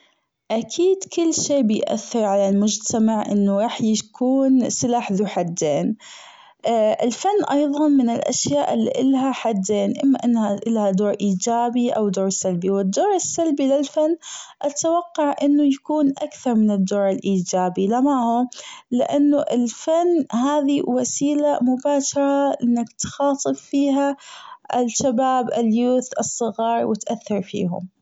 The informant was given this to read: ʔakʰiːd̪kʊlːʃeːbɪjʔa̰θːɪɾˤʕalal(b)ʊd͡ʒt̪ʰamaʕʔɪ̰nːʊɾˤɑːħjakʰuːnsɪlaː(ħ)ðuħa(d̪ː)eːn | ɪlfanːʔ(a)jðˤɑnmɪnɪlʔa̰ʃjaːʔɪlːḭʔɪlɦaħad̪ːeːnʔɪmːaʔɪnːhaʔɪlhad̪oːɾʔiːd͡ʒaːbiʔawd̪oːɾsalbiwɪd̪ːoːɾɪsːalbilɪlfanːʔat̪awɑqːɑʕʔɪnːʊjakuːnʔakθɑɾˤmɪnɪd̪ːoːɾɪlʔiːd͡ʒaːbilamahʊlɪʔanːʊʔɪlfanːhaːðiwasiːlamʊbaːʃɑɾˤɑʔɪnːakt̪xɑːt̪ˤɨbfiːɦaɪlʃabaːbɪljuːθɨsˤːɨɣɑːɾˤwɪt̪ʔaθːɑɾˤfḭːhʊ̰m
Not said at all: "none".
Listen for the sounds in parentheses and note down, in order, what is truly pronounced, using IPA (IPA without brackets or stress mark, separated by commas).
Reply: m, ħ, d̪ː, ɑ